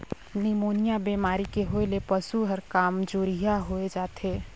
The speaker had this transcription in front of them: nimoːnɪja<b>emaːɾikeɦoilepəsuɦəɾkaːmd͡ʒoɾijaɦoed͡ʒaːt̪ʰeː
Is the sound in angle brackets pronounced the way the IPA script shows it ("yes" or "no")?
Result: yes